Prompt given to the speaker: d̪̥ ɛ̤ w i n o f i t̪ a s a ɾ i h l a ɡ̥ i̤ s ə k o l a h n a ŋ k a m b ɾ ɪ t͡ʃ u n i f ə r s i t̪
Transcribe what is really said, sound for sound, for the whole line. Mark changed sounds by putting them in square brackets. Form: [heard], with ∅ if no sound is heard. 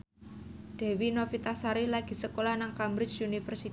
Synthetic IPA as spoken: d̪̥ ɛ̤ w i n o f i t̪ a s a ɾ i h l a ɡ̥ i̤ s ə k o l a h n a ŋ k a m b ɾ ɪ t͡ʃ u n i f ə r s i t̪